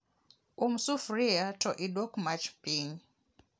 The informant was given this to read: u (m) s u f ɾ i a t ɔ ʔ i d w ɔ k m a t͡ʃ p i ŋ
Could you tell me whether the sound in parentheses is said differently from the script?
no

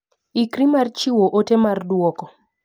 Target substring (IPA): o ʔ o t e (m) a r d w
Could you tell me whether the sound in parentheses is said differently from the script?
no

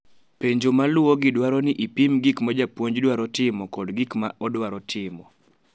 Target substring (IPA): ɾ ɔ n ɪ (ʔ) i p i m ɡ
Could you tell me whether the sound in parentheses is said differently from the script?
no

